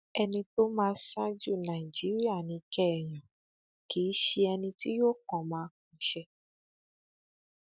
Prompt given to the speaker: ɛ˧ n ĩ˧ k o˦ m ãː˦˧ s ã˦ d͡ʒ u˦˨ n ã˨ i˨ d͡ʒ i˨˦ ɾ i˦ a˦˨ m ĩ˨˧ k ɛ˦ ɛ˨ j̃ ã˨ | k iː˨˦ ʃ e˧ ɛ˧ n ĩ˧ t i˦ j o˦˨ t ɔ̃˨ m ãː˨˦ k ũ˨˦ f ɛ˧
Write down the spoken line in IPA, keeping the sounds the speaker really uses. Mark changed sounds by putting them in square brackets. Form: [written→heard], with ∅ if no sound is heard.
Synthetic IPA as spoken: ɛ˧ n ĩ˧ [k→t] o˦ m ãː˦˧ s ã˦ d͡ʒ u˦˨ n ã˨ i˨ d͡ʒ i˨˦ ɾ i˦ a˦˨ [m→n] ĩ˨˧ k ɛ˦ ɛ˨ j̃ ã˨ | k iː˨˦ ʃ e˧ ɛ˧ n ĩ˧ t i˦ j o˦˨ [t→k] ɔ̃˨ m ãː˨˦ k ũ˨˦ [f→ʃ] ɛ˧

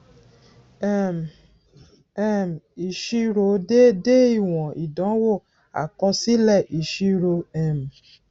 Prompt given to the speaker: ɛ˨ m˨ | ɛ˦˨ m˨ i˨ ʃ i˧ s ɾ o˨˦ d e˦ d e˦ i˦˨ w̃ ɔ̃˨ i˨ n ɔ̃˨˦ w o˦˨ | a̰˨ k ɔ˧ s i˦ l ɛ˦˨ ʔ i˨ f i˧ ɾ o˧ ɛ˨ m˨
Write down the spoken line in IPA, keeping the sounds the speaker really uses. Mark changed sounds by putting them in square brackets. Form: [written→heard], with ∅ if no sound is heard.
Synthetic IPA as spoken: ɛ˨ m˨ | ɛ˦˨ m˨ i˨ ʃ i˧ [s→∅] ɾ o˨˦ d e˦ d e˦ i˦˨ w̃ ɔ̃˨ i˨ [n→d] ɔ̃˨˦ w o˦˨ | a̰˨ k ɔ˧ s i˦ l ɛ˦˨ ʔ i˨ [f→ʃ] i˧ ɾ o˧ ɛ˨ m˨

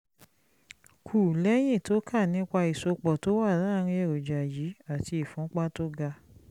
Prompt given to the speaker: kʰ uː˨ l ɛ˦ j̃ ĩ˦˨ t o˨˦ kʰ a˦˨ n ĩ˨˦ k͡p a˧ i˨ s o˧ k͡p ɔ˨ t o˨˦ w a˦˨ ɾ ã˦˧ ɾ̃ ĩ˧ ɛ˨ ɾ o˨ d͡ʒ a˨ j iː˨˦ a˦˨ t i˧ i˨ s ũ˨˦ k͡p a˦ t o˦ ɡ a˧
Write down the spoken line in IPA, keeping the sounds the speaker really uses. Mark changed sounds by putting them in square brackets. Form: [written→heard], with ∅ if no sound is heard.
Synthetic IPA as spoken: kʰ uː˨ l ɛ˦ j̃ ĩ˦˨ t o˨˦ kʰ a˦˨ n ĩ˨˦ k͡p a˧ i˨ s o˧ k͡p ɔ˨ t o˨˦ w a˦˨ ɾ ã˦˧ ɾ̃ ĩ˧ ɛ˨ ɾ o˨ d͡ʒ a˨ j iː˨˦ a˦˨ t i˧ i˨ [s→f] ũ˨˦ k͡p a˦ t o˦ ɡ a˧

